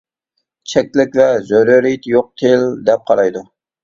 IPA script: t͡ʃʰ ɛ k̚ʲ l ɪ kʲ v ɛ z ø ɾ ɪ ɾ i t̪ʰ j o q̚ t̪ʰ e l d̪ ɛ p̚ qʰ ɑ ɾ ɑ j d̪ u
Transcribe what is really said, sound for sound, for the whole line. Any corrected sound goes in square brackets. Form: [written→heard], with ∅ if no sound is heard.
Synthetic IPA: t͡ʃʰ ɛ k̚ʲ l ɪ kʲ v ɛ z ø ɾ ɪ ɾ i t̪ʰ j o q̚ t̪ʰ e l d̪ ɛ p̚ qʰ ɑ ɾ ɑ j d̪ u